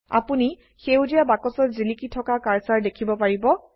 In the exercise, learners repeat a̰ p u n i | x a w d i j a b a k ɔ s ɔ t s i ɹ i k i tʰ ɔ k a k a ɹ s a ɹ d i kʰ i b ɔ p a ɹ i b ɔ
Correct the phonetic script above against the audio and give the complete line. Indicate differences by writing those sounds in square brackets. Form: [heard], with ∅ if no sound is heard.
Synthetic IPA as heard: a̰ p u n i | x [e] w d i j a b a k ɔ s ɔ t [z] i [l] i k i tʰ ɔ k a k a ɹ s a ɹ d [e] kʰ i b ɔ p a ɹ i b ɔ